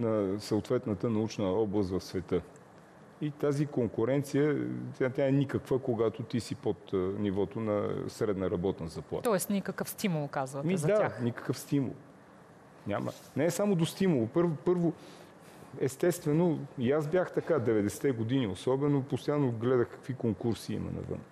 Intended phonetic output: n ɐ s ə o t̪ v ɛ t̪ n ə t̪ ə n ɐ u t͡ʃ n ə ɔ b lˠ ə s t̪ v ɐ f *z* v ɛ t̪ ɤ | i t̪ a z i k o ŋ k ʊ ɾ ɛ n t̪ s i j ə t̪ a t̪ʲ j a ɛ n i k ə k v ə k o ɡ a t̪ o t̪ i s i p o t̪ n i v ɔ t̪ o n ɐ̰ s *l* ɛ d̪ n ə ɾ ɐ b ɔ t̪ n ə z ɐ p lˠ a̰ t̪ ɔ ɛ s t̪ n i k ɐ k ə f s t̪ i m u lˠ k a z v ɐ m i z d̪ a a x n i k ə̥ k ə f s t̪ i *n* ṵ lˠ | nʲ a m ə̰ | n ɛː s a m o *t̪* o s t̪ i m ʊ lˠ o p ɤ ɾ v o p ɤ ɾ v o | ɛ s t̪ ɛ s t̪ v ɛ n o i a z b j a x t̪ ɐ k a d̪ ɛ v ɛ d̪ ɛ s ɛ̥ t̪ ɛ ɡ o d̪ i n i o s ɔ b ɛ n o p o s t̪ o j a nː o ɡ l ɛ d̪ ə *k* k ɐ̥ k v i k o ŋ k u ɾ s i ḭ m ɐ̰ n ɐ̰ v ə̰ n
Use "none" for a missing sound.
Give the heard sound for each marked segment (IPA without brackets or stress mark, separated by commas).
s, ɾ, m, d̪, x